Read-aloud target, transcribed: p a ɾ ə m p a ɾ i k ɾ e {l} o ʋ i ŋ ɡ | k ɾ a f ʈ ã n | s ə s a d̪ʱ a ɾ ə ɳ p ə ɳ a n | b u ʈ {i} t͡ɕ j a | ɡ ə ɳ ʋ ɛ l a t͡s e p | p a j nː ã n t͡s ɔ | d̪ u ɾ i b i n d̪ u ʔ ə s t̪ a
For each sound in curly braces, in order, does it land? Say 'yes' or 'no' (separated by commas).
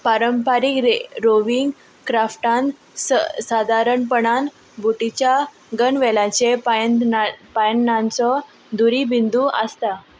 no, yes